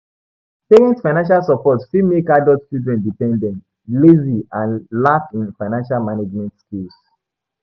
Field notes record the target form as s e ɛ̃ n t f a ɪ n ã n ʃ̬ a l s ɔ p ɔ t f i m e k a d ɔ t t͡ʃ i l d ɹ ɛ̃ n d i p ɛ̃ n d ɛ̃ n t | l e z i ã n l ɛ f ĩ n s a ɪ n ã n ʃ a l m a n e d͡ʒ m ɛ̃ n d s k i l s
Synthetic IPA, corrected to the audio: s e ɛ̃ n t f a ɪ n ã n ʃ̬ a l s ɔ p ɔ t f i m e k a d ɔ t t͡ʃ i l d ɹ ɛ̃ n d i p ɛ̃ n d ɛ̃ n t | l e z i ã n l a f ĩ n f a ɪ n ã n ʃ a l m a n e d͡ʒ m ɛ̃ n t s k i l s